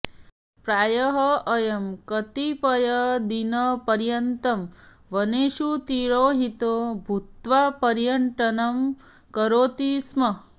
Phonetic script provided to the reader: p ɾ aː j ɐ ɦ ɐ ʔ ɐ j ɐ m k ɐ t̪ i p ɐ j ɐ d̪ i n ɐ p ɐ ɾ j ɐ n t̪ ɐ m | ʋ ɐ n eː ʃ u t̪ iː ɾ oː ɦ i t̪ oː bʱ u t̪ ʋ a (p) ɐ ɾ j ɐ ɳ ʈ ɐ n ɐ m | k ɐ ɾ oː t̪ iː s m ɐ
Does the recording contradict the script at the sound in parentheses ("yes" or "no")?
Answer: no